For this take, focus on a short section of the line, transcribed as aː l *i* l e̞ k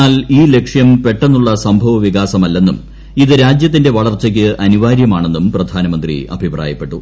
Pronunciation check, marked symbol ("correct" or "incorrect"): incorrect